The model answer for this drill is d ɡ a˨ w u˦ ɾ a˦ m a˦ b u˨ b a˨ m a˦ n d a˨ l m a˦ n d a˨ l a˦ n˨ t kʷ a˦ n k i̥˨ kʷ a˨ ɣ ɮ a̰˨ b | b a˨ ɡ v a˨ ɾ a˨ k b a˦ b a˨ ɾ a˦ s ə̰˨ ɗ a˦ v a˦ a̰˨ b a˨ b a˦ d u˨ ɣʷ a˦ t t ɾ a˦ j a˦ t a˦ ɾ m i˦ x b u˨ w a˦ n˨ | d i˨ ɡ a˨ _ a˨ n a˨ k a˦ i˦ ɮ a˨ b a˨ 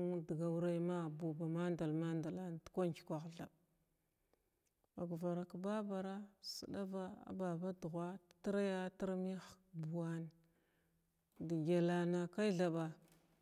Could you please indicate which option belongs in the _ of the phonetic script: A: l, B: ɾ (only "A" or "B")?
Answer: A